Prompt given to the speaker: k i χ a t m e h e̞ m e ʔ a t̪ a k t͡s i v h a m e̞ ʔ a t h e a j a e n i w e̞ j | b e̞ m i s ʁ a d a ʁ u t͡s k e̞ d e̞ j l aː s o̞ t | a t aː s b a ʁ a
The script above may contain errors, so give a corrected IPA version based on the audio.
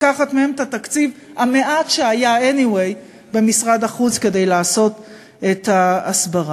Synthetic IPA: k a χ a t m e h e̞ m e t a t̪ a k t͡s i v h a m e̞ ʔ a t ʃ e a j a e n i w e̞ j | b e̞ m i s ʁ a d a χ u t͡s k e̞ d e̞ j l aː s o̞ t | e t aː s b a ʁ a